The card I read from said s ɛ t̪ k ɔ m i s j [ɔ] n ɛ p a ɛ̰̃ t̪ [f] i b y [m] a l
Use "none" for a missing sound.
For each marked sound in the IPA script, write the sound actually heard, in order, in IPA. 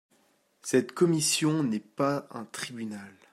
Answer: ɔ̃, χ, n

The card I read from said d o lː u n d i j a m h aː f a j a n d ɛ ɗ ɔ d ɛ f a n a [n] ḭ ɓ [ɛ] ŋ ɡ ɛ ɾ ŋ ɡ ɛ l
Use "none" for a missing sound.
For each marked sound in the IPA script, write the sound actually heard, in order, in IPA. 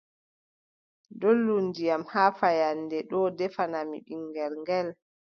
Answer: m, i

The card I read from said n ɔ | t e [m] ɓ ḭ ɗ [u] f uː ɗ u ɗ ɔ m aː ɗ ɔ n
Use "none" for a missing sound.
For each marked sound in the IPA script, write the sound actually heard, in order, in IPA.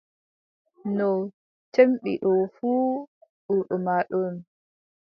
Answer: m, ɔ

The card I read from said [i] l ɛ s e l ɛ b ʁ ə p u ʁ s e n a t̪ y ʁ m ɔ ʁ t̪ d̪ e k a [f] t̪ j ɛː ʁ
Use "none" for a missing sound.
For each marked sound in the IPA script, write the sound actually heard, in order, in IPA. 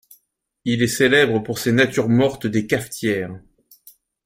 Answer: i, f

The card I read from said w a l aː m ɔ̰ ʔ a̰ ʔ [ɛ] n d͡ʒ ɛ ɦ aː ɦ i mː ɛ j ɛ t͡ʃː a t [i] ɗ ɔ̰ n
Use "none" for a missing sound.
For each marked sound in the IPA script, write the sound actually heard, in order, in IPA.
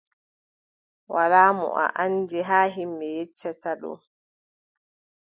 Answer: a, a

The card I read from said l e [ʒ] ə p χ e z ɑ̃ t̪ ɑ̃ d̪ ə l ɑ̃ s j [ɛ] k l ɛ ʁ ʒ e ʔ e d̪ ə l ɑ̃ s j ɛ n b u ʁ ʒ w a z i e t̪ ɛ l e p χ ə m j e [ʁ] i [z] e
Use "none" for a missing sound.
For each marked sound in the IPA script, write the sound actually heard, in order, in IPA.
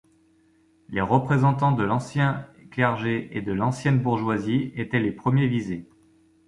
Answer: ʁ, ɛ̃, v, z

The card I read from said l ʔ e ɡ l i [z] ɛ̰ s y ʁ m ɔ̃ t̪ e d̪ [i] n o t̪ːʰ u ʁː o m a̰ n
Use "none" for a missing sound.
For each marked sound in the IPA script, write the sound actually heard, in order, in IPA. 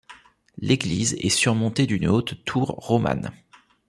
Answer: z, y

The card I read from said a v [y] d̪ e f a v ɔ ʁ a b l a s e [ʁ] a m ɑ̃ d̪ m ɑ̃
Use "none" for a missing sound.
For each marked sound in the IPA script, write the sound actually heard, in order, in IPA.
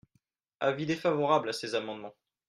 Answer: i, z

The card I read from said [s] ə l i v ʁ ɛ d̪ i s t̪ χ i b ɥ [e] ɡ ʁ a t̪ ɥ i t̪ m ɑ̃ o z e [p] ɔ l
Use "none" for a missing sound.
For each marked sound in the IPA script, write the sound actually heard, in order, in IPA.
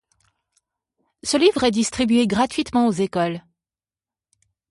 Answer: s, e, k

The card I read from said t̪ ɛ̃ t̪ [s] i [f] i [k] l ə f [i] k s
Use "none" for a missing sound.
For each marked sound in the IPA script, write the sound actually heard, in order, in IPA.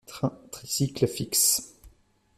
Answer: χ, s, k, i

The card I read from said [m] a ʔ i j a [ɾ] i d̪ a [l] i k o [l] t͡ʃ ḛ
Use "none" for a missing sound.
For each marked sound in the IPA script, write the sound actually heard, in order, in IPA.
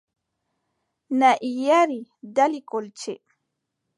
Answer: n, ɾ, l, l

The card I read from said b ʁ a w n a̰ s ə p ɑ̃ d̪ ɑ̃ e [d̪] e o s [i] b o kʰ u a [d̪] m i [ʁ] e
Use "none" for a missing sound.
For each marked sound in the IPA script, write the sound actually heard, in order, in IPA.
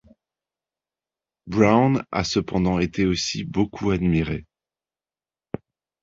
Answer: t̪, i, d̪, ʁ

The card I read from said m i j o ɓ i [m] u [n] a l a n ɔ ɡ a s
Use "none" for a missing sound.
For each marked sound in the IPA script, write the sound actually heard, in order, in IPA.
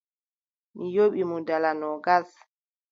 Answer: m, d

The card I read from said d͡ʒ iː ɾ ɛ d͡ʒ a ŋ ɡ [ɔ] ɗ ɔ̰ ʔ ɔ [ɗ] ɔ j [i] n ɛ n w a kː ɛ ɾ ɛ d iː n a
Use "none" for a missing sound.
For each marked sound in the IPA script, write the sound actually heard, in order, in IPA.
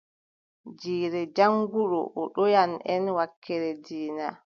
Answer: u, ɗ, a

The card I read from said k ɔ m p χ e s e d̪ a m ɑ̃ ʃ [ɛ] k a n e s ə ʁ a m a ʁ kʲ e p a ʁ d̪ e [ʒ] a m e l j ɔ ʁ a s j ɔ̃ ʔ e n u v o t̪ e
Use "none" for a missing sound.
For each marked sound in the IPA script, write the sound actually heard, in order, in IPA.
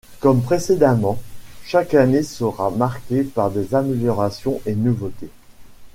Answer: a, z

